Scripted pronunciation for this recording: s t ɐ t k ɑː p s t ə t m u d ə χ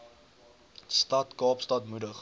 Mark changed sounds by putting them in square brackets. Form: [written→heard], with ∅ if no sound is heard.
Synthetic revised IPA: s t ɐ t k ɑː p s t [ə→ɐ] t m u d ə χ